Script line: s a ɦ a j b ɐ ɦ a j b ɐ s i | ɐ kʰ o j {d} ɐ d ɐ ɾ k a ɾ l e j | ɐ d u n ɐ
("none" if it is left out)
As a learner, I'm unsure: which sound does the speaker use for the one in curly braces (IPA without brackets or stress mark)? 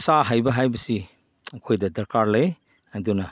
d